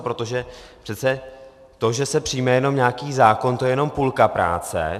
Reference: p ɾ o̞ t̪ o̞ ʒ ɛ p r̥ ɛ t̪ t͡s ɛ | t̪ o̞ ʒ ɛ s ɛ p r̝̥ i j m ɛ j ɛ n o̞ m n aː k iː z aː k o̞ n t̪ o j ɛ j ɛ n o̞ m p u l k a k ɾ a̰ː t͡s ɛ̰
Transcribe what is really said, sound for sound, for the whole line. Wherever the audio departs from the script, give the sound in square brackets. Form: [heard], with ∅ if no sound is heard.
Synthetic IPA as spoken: p ɾ o̞ t̪ o̞ ʒ ɛ p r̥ ɛ t̪ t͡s ɛ | t̪ o̞ ʒ ɛ s ɛ p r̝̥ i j m ɛ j ɛ n o̞ m [ɲ] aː k iː z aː k o̞ n t̪ o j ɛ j ɛ n o̞ m p u l k a [p] ɾ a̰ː t͡s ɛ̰